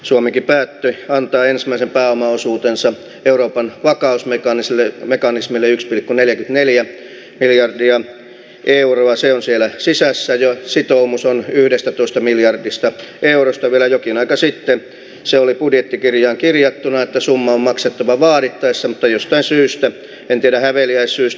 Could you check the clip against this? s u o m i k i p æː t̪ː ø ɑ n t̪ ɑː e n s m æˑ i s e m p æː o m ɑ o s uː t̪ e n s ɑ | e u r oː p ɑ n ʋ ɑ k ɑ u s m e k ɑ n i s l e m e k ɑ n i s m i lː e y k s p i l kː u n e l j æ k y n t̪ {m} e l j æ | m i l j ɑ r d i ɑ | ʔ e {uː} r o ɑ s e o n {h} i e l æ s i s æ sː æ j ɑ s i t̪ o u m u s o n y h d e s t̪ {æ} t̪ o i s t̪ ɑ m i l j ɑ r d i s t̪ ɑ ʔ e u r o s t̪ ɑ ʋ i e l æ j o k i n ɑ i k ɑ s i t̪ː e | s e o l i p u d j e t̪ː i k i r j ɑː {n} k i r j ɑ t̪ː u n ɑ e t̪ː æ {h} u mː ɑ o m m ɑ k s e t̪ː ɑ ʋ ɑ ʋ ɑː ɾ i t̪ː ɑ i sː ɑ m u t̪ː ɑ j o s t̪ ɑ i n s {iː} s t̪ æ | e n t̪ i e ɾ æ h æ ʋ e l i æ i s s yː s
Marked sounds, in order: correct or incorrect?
incorrect: n, incorrect: u, incorrect: s, correct, incorrect: ŋ, incorrect: s, incorrect: yː

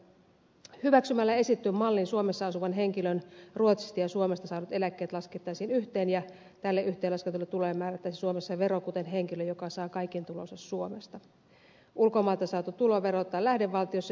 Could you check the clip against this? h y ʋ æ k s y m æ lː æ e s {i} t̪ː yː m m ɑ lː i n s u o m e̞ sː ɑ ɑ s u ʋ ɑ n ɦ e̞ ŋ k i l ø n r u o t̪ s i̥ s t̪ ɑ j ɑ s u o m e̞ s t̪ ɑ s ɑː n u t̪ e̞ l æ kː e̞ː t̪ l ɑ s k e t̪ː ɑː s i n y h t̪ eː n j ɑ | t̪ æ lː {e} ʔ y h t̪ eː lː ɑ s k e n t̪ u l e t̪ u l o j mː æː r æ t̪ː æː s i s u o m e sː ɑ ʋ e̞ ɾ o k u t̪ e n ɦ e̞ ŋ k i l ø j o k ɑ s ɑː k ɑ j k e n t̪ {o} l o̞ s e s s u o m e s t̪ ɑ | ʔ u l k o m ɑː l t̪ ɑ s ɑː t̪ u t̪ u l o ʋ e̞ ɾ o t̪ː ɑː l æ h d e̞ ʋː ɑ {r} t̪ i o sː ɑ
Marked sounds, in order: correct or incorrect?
correct, correct, incorrect: u, incorrect: l

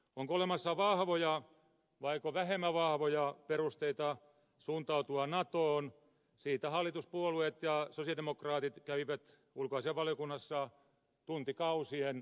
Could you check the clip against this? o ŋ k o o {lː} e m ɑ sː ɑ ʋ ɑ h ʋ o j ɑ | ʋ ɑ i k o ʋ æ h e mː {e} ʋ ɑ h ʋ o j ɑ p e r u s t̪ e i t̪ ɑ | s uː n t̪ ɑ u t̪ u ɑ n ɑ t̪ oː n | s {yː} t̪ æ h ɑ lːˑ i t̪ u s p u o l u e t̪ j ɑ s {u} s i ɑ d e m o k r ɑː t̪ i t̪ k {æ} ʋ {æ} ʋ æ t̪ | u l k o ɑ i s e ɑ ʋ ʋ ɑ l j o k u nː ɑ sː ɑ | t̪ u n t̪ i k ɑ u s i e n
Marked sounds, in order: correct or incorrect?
incorrect: l, incorrect: æ, incorrect: iː, incorrect: o, correct, incorrect: i

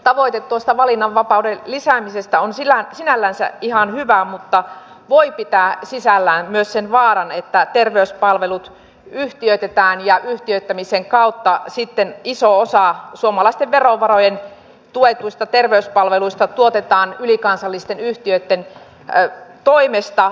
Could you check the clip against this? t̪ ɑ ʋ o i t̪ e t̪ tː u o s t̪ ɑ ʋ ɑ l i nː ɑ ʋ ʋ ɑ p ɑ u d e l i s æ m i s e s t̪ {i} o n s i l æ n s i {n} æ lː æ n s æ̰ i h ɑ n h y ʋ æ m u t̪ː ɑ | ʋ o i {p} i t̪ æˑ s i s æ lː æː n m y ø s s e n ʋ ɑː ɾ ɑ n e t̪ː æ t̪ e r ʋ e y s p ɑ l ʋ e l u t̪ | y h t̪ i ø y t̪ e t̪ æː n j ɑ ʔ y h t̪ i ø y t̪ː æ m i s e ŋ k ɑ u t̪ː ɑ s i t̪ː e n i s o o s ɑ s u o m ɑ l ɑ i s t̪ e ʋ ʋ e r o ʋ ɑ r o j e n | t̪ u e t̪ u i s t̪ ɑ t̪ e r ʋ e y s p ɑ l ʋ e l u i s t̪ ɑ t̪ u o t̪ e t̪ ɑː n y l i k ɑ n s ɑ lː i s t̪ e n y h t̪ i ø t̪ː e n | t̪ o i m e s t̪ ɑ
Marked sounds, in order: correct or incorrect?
incorrect: æ, correct, correct

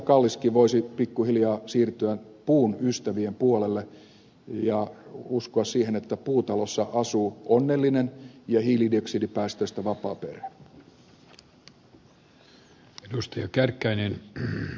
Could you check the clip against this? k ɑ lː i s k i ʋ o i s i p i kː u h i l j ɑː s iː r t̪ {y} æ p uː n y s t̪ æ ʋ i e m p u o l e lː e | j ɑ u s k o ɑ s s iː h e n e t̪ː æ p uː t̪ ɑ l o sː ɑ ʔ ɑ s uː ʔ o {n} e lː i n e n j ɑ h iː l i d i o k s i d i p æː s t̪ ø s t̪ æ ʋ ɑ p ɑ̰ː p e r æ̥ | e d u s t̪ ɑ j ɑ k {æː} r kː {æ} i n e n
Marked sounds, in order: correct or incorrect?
correct, incorrect: nː, incorrect: æ, correct

